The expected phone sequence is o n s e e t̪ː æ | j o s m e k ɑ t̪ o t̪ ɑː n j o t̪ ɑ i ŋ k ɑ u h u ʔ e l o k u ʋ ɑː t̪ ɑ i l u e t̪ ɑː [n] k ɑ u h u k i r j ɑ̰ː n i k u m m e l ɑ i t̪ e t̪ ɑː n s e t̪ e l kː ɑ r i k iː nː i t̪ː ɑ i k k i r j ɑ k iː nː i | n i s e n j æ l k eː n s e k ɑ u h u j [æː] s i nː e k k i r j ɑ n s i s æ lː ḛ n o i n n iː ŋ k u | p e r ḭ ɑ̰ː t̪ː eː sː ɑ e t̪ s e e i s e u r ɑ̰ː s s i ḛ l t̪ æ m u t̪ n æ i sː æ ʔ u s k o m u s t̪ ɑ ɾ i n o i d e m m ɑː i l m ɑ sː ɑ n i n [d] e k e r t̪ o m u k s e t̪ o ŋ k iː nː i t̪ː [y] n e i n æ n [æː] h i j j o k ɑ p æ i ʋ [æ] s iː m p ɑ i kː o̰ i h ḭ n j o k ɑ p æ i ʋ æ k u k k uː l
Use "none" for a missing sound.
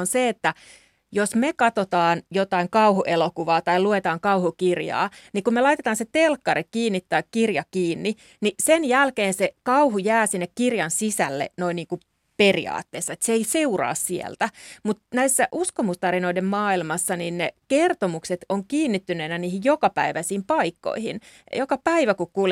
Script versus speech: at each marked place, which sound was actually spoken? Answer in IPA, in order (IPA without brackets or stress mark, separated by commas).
ŋ, æː, n, y, iː, æ